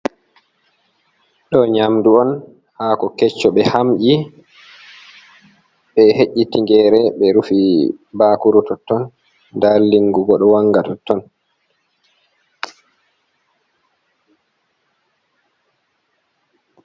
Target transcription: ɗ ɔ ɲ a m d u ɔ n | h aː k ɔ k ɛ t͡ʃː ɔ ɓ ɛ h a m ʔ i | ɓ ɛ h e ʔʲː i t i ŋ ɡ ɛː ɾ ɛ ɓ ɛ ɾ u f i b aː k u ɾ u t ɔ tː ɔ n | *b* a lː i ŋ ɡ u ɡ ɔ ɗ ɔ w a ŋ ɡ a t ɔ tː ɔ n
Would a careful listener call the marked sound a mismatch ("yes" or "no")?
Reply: yes